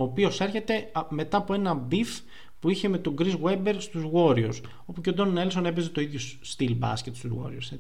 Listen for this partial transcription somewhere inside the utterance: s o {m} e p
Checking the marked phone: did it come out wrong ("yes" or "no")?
yes